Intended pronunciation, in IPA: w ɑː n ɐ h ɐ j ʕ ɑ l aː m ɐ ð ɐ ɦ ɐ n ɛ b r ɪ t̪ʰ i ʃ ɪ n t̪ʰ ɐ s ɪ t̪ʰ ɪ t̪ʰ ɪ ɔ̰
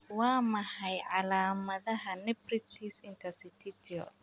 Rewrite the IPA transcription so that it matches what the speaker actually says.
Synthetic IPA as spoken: w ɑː m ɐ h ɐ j ʕ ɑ l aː m ɐ ð ɐ ɦ ɐ n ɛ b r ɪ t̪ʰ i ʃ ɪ n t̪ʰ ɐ s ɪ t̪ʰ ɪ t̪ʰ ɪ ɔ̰